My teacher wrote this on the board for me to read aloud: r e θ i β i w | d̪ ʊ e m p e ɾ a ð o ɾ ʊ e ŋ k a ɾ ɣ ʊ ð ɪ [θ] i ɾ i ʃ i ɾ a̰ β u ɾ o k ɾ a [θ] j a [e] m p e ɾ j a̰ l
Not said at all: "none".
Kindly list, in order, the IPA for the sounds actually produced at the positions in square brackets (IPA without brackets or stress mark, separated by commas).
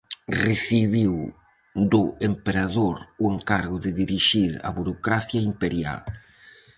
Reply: ð, θ, i